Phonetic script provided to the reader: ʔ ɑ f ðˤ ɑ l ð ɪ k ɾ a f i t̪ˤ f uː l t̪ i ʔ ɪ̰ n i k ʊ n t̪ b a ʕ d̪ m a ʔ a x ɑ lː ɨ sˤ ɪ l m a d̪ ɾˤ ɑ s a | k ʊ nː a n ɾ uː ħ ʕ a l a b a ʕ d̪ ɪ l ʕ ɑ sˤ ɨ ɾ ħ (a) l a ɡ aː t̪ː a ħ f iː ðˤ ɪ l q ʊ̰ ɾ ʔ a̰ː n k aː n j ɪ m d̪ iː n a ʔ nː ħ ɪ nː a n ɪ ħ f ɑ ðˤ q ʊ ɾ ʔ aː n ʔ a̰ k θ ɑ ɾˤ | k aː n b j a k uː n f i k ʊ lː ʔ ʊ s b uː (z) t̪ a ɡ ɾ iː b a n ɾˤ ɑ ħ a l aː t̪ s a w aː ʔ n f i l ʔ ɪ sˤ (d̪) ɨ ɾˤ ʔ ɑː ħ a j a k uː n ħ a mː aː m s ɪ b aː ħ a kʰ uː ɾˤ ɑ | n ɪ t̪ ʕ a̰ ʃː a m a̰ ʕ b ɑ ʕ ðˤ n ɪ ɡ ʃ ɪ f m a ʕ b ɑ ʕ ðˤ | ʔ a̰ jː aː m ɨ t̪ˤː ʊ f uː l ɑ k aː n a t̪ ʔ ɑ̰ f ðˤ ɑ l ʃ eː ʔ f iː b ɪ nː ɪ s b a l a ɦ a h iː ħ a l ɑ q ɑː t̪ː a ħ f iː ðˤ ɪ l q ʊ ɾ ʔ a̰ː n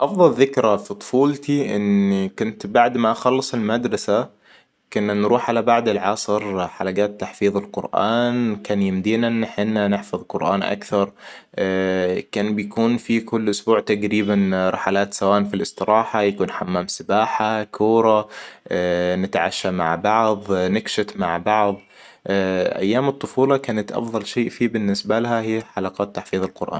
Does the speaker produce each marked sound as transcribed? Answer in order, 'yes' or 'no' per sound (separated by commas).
yes, no, no